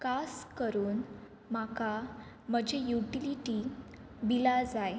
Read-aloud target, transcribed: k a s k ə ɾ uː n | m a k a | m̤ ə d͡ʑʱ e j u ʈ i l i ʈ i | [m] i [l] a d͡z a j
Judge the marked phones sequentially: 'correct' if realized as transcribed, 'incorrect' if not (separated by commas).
incorrect, correct